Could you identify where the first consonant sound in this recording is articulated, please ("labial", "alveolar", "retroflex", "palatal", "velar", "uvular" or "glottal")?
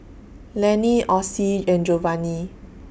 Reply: alveolar